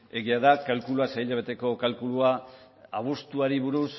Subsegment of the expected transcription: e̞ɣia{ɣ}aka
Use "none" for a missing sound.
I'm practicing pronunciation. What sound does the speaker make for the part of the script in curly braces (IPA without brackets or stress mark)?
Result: ð